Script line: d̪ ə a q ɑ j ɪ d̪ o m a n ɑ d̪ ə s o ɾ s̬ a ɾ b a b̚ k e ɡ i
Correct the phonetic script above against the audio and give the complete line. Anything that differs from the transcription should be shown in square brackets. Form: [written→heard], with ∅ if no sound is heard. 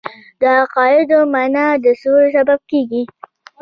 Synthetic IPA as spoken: d̪ ə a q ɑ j ɪ d̪ o m a n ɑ d̪ ə s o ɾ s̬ a [ɾ→∅] b a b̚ k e ɡ i